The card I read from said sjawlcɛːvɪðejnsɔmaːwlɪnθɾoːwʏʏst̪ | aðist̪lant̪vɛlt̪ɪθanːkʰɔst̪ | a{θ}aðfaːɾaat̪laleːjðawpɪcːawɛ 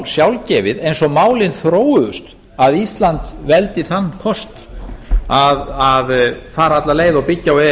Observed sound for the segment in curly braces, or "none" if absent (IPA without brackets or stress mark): ð